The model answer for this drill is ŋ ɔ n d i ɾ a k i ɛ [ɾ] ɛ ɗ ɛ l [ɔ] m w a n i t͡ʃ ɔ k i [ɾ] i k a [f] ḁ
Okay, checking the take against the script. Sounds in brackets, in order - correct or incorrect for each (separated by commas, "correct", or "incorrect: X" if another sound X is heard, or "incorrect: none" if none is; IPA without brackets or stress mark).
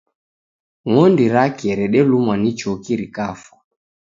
correct, incorrect: u, correct, correct